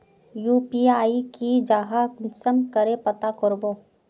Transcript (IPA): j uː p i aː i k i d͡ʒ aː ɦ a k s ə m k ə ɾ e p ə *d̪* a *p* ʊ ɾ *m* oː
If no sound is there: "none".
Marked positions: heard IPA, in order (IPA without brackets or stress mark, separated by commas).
t̪, k, b